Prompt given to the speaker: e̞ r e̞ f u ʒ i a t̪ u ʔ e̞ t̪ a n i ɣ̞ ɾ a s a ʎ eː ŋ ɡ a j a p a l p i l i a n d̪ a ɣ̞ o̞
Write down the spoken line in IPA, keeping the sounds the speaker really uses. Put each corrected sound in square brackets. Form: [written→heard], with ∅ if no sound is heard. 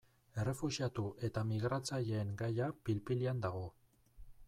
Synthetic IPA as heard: e̞ r e̞ f u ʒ i a t̪ u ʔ e̞ t̪ a [n→m] i ɣ̞ ɾ a [s→t͡s] a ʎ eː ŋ ɡ a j a p [a→i] l p i l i a n d̪ a ɣ̞ o̞